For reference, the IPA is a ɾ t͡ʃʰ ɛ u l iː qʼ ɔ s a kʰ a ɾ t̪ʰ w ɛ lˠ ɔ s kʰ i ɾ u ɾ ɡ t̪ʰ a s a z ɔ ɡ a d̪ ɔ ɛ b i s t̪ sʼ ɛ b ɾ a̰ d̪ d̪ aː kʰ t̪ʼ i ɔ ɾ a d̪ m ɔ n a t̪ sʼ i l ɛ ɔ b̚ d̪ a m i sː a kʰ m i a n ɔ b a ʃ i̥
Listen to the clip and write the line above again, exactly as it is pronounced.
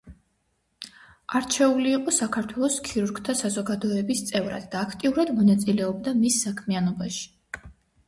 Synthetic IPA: a ɾ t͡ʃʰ ɛ u l iː qʼ ɔ s a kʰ a ɾ t̪ʰ w ɛ lˠ ɔ s kʰ i ɾ u ɾ ɡ t̪ʰ a s a z ɔ ɡ a d̪ ɔ ɛ b i s t̪ sʼ ɛ v ɾ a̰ d̪ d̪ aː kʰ t̪ʼ i u ɾ a d̪ m ɔ n a t̪ sʼ i l ɛ ɔ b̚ d̪ a m i sː a kʰ m i a n ɔ b a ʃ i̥